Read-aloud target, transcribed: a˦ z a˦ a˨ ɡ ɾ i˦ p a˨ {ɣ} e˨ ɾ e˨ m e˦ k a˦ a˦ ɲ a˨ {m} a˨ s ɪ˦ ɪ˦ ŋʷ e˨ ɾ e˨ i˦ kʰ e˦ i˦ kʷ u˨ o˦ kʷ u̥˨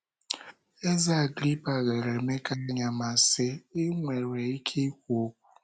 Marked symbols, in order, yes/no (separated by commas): yes, yes